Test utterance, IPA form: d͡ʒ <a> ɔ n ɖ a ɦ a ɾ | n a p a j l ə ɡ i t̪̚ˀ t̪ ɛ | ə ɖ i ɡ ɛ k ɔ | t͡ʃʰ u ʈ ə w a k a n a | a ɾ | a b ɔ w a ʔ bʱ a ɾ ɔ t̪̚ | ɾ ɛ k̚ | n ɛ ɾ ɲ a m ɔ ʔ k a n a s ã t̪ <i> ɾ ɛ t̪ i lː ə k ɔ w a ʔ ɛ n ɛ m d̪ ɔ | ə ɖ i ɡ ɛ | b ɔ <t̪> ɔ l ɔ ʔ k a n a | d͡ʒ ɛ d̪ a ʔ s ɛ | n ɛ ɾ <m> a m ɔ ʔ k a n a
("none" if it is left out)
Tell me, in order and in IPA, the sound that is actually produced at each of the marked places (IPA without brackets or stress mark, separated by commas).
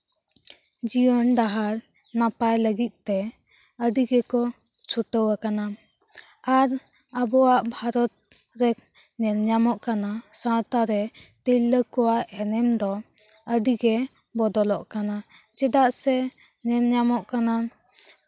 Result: i, a, d̪, ɲ